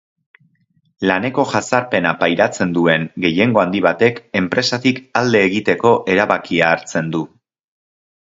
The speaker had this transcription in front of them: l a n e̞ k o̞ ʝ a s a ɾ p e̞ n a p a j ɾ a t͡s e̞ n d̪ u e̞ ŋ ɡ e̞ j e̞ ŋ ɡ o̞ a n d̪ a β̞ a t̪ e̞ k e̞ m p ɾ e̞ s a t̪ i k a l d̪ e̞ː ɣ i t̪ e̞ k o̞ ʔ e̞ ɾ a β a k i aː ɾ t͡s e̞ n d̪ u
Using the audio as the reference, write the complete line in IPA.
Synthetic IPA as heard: l a n e̞ k o̞ ʝ a s a ɾ p e̞ n a p a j ɾ a t͡s e̞ n d̪ u e̞ ŋ ɡ e̞ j e̞ ŋ ɡ o̞ a n d̪ i β̞ a t̪ e̞ k e̞ m p ɾ e̞ s a t̪ i k a l d̪ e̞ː ɣ i t̪ e̞ k o̞ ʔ e̞ ɾ a β a k i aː ɾ t͡s e̞ n d̪ u